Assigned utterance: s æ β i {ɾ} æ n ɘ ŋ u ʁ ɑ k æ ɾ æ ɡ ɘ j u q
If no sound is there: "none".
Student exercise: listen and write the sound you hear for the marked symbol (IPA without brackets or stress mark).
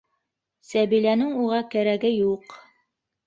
l